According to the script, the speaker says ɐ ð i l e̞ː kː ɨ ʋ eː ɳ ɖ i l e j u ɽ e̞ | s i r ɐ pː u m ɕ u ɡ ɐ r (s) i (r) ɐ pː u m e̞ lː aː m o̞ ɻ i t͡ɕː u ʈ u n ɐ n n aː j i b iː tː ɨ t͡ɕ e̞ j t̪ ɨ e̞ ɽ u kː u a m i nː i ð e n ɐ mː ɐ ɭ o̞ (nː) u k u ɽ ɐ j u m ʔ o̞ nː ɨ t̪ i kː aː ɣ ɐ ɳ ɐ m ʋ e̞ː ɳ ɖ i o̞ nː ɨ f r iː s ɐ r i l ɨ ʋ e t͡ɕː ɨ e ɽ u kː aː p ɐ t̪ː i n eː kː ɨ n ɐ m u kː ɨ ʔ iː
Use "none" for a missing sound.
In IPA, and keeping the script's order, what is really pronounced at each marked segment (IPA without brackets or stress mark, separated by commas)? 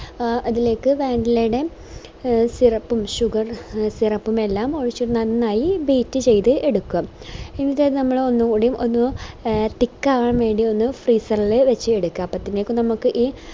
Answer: s, r, nː